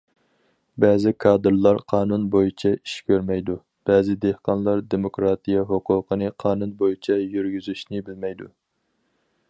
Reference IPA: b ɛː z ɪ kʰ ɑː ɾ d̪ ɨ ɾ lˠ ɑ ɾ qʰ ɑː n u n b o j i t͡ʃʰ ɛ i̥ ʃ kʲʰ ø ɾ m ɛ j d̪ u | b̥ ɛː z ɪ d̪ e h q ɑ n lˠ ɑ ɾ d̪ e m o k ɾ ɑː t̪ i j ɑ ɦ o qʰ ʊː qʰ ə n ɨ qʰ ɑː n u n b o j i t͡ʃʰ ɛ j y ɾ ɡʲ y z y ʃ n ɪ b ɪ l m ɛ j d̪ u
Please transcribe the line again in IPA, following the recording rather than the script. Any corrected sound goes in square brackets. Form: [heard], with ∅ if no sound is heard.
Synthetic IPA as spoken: b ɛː z ɪ kʰ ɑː [∅] d̪ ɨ ɾ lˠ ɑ ɾ qʰ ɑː n u n b o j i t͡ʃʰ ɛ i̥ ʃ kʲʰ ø ɾ m ɛ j d̪ u | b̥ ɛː z ɪ d̪ e h q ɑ n lˠ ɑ ɾ d̪ e m o k ɾ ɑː t̪ i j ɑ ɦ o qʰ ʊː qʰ ə n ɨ qʰ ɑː n u n b o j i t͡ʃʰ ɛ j y ɾ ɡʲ y z y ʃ n ɪ b ɪ l m ɛ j d̪ u